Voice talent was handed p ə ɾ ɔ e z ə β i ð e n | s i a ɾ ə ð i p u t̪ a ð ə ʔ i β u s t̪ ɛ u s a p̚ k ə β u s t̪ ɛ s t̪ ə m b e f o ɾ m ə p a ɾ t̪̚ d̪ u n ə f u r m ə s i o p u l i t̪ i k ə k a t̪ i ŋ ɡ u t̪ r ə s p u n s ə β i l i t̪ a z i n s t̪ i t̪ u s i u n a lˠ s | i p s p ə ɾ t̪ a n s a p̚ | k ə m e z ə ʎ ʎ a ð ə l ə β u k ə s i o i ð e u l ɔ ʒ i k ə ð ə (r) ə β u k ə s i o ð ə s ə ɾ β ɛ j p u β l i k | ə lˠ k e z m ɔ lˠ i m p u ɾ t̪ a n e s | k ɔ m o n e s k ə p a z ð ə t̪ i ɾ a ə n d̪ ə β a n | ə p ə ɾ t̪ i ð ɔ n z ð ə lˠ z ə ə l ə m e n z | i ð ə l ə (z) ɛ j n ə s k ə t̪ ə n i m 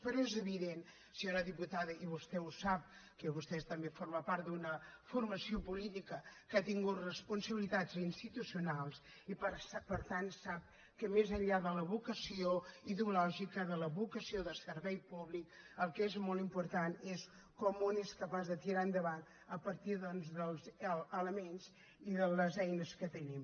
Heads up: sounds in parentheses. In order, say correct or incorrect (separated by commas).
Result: incorrect, correct